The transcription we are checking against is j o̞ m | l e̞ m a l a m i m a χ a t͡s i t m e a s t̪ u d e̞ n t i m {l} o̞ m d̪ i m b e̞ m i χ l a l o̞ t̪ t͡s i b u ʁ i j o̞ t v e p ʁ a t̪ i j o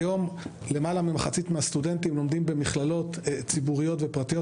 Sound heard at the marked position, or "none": l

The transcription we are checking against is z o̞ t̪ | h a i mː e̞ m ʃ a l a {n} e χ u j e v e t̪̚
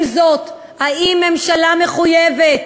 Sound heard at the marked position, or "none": m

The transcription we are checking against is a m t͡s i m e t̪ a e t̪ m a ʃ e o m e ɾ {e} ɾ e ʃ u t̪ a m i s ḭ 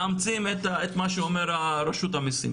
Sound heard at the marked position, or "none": a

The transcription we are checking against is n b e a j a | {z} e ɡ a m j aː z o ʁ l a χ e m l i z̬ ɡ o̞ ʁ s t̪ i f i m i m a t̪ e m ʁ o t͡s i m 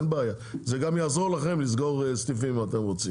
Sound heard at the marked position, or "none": z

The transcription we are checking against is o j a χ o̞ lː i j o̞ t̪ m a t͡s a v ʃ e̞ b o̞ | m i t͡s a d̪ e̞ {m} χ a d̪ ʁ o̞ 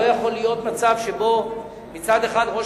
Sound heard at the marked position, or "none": none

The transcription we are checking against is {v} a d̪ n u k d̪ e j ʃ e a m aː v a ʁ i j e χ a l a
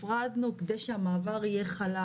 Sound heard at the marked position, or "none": ʁ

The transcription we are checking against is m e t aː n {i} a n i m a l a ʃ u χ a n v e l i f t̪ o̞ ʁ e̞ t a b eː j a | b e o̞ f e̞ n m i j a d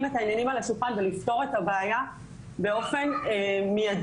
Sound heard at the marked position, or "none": j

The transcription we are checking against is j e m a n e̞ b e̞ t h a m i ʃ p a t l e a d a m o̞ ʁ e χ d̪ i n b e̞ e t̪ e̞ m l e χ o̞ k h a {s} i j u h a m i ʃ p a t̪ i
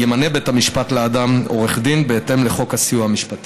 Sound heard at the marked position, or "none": s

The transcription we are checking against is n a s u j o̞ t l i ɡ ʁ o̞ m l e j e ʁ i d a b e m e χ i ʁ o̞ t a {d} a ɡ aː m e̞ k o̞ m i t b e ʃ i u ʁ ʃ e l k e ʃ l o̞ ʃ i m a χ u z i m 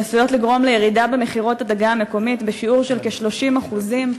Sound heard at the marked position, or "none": d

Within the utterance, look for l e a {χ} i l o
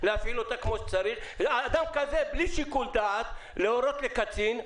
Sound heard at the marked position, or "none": f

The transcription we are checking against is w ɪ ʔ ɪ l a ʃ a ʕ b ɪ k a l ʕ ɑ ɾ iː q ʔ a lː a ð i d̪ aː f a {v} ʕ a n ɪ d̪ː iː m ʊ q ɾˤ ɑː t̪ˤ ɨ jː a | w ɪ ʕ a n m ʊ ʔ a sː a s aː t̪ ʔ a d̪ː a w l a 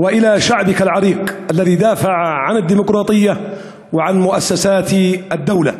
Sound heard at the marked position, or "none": ʕ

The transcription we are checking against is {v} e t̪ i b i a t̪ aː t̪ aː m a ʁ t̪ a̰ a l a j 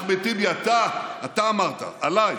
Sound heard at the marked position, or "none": b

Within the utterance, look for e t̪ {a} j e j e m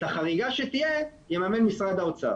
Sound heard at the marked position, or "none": i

